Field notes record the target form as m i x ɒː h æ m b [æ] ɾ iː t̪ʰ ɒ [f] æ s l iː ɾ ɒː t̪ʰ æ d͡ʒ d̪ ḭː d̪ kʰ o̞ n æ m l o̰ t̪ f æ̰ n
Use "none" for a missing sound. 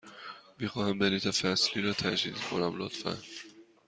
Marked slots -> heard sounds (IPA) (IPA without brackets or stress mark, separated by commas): e, f